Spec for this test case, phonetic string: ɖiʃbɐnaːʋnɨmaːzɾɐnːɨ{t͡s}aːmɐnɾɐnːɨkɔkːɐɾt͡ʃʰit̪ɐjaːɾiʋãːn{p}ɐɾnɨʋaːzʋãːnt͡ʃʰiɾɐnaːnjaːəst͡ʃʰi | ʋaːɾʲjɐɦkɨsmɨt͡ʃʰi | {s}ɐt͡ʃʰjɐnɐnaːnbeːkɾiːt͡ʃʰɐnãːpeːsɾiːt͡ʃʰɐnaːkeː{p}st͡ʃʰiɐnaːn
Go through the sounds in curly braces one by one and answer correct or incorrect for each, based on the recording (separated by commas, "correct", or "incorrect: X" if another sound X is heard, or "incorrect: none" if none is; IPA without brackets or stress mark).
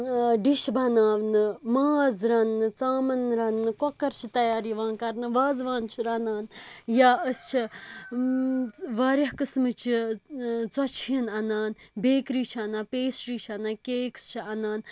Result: correct, incorrect: k, incorrect: t͡s, incorrect: k